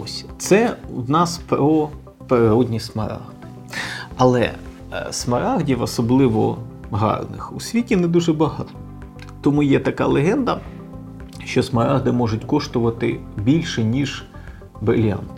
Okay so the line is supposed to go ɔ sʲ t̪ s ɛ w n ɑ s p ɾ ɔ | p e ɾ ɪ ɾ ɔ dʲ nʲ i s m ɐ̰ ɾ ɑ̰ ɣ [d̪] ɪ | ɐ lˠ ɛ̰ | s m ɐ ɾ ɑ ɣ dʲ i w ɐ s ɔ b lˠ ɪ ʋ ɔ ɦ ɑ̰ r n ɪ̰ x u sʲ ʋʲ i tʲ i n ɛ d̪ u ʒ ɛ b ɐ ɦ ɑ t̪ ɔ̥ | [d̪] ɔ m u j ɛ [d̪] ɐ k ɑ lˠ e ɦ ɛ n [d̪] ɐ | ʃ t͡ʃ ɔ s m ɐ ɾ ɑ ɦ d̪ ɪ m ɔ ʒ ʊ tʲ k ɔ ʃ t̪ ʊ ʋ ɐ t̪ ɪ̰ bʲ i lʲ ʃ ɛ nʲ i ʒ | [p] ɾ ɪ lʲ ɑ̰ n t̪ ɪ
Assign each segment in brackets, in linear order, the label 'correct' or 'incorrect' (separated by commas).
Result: correct, incorrect, incorrect, correct, incorrect